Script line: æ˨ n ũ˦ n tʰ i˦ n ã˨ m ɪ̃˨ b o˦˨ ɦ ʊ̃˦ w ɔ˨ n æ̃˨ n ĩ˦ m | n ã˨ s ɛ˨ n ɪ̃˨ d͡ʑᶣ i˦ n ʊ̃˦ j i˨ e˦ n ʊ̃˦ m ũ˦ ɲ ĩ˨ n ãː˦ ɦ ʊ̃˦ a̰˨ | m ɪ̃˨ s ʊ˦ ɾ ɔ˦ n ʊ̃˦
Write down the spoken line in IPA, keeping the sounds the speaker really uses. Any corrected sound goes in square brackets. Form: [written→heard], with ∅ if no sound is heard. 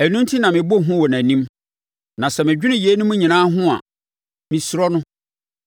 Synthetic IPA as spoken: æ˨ n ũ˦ n tʰ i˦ n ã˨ m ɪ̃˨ b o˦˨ ɦ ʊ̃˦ w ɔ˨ n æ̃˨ n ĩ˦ m | n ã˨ s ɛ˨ [n→m] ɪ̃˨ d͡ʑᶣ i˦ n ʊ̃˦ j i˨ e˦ n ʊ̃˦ m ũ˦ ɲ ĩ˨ n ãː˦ ɦ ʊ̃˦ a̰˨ | m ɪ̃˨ s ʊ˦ ɾ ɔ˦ n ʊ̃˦